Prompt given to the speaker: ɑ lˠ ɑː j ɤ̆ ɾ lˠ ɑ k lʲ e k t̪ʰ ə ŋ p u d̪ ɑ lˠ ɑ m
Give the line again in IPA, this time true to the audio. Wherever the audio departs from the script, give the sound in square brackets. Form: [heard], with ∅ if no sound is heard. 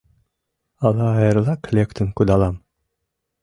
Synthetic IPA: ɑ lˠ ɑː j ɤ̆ ɾ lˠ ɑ k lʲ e k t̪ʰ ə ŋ [k] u d̪ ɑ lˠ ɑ m